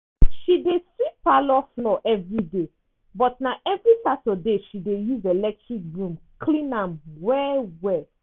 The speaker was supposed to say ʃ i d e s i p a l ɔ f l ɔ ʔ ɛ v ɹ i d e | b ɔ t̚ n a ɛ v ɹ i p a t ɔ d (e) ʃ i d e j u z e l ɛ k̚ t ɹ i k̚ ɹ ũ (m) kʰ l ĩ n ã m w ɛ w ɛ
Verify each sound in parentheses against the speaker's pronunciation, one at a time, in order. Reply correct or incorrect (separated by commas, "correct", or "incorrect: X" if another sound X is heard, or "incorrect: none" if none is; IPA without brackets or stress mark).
correct, correct